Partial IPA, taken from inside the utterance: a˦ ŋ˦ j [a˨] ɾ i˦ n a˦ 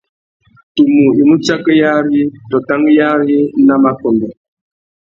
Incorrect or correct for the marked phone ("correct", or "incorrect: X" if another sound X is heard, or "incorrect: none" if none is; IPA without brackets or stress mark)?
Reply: incorrect: a˦